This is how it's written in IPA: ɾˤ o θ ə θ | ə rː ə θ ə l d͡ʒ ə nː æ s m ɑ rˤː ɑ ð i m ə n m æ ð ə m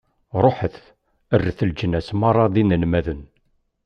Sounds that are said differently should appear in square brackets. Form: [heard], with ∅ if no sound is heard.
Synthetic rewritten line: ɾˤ o [ħ] ə θ | ə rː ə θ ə l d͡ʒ ə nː æ s m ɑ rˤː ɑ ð i [n] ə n m æ ð ə [n]